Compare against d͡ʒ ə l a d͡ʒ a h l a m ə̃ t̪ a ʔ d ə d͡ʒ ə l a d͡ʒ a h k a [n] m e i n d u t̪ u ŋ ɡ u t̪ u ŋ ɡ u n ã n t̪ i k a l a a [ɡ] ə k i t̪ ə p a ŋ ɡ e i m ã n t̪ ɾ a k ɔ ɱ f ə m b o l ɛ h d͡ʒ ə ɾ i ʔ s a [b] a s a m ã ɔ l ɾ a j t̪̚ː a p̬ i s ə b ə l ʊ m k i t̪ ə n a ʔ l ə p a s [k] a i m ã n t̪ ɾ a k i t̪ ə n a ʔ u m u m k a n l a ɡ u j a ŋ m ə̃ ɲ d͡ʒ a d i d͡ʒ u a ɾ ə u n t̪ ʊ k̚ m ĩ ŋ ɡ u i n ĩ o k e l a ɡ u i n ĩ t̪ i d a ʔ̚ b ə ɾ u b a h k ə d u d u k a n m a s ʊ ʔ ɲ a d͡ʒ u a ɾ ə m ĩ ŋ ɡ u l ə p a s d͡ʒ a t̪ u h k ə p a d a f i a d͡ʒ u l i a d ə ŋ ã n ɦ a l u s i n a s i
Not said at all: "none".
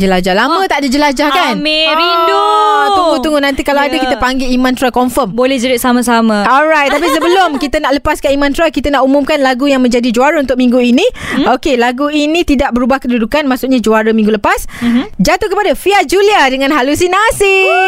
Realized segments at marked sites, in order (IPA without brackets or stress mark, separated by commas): n, d, m, k